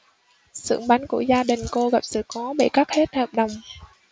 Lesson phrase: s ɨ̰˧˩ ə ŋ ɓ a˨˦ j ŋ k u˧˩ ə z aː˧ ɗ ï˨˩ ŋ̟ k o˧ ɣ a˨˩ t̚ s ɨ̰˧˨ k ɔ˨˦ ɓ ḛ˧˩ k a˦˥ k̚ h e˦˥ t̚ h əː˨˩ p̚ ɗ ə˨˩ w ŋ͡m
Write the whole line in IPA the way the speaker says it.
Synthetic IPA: s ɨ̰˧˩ ə ŋ ɓ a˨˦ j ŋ k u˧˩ ə z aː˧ ɗ ï˨˩ ŋ̟ k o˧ ɣ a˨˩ p̚ s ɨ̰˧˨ k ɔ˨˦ ɓ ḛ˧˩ k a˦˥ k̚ h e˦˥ t̚ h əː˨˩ p̚ ɗ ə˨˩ w ŋ͡m